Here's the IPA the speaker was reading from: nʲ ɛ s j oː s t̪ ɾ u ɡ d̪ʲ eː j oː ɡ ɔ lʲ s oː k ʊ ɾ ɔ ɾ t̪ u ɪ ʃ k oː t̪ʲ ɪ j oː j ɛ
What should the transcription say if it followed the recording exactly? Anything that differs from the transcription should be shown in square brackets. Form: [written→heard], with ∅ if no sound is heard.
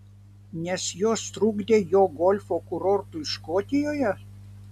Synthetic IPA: nʲ ɛ s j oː s t̪ ɾ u ɡ d̪ʲ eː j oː ɡ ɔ lʲ [s→f] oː k ʊ ɾ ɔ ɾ t̪ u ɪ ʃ k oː t̪ʲ ɪ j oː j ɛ

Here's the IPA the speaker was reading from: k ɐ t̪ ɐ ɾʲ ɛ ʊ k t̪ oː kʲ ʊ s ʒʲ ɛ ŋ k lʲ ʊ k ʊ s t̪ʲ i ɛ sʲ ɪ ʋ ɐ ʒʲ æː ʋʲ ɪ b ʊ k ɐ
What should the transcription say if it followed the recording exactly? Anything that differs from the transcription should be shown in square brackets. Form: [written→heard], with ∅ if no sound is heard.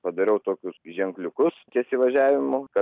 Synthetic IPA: [k→p] ɐ [t̪→d̪] ɐ ɾʲ ɛ ʊ [k→∅] t̪ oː kʲ ʊ s ʒʲ ɛ ŋ k lʲ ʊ k ʊ s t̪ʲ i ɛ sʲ ɪ ʋ ɐ ʒʲ æː ʋʲ ɪ [b→m] ʊ k ɐ

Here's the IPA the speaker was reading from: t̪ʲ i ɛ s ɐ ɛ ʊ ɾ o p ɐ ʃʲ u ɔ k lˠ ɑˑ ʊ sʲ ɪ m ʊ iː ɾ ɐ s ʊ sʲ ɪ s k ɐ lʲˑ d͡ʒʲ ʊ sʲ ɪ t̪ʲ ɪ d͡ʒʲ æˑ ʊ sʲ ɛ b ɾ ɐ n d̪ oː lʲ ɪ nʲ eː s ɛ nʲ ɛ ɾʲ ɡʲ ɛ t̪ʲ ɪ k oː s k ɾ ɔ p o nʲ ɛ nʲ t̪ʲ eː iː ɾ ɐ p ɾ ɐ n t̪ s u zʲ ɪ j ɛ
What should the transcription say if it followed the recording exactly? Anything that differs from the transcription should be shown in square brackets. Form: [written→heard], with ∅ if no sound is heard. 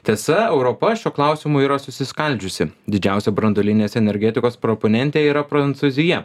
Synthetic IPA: t̪ʲ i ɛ s ɐ ɛ ʊ ɾ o p ɐ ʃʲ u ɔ k lˠ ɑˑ ʊ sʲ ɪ m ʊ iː ɾ ɐ s ʊ sʲ ɪ s k ɐ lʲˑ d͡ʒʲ ʊ sʲ ɪ [t̪ʲ→d̪ʲ] ɪ d͡ʒʲ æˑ ʊ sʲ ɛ b ɾ ɐ n d̪ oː lʲ ɪ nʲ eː s ɛ nʲ ɛ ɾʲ ɡʲ ɛ t̪ʲ ɪ k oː s [k→p] ɾ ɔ p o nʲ ɛ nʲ t̪ʲ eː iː ɾ ɐ p ɾ ɐ n t̪ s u zʲ ɪ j ɛ

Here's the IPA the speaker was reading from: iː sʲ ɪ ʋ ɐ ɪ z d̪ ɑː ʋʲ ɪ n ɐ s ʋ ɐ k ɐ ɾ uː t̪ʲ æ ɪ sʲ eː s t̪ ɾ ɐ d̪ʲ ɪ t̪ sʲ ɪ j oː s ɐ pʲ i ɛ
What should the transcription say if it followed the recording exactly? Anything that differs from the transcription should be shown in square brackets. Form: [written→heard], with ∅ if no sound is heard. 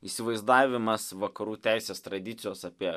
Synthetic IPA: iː sʲ ɪ ʋ ɐ ɪ z d̪ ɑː ʋʲ ɪ [n→m] ɐ s ʋ ɐ k ɐ ɾ uː t̪ʲ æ ɪ sʲ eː s t̪ ɾ ɐ d̪ʲ ɪ t̪ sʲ ɪ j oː s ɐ pʲ i ɛ

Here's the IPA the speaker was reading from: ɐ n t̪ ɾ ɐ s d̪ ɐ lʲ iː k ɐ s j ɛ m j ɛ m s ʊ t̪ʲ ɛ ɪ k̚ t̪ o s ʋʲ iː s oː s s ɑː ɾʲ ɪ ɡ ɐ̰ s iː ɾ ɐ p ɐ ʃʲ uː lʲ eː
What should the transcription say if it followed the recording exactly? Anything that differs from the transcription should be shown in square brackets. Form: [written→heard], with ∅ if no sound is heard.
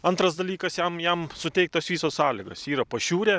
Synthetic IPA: ɐ n t̪ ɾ ɐ s d̪ ɐ lʲ iː k ɐ s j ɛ m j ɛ m s ʊ t̪ʲ ɛ ɪ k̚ t̪ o s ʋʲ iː s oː s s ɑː [ɾʲ→lʲ] ɪ ɡ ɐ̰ s iː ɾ ɐ p ɐ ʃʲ uː [lʲ→ɾʲ] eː

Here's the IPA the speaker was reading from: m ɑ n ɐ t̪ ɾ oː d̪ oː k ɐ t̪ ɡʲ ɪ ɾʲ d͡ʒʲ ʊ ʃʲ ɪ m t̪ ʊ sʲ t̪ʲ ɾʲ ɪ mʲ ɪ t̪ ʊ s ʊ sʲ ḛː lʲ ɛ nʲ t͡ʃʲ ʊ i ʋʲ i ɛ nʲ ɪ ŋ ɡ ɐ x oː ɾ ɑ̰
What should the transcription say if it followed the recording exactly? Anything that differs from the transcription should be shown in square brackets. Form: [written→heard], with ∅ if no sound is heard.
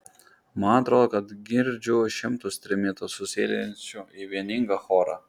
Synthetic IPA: m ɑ n ɐ t̪ ɾ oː d̪ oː k ɐ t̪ ɡʲ ɪ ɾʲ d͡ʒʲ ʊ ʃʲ ɪ m t̪ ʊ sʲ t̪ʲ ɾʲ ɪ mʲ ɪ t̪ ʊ s ʊ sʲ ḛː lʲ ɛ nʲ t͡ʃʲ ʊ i ʋʲ i ɛ nʲ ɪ ŋ ɡ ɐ x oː ɾ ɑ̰

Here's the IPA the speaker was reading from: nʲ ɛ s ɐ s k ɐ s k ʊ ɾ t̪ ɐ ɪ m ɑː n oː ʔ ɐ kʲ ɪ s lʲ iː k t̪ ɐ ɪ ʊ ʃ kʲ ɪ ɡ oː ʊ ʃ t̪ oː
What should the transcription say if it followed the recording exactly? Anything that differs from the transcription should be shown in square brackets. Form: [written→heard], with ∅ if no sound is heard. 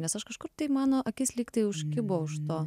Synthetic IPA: nʲ ɛ s ɐ [s→ʃ] k ɐ [s→ʃ] k ʊ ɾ t̪ ɐ ɪ m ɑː n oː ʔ ɐ kʲ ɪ s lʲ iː k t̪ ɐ ɪ ʊ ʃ kʲ ɪ [ɡ→b] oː ʊ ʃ t̪ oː

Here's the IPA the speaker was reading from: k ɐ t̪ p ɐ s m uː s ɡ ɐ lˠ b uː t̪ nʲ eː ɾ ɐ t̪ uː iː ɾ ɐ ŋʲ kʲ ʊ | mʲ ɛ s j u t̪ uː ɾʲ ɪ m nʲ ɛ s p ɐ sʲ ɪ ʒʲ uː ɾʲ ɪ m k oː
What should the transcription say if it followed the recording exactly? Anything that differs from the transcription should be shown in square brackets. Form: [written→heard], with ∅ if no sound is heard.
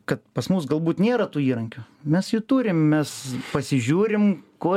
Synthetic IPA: k ɐ t̪ p ɐ s m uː s ɡ ɐ lˠ b uː t̪ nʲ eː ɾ ɐ t̪ uː iː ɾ ɐ ŋʲ kʲ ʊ | mʲ ɛ s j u t̪ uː ɾʲ ɪ m [nʲ→mʲ] ɛ s p ɐ sʲ ɪ ʒʲ uː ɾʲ ɪ m k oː

